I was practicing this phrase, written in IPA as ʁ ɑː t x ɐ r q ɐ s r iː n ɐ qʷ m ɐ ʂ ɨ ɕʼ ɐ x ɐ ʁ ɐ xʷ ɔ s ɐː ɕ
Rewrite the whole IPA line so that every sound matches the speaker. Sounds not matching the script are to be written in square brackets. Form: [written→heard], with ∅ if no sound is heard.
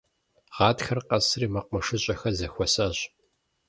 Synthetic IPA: ʁ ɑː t x ɐ r q ɐ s r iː [n→m] ɐ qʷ m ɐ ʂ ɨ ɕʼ ɐ x ɐ [ʁ→z] ɐ xʷ ɔ s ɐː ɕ